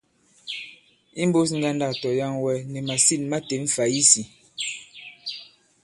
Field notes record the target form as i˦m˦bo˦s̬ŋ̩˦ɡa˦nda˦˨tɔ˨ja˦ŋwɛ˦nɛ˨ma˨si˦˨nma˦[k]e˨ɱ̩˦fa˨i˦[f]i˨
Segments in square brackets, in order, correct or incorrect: incorrect, incorrect

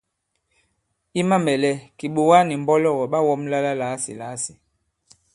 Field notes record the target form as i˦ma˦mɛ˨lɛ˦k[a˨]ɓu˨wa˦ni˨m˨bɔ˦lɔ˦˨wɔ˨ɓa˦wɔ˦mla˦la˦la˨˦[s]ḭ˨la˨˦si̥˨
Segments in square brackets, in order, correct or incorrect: incorrect, correct

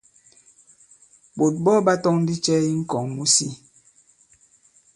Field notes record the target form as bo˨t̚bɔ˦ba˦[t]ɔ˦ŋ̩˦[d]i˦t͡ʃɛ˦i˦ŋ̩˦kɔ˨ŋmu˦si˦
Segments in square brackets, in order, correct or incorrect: correct, correct

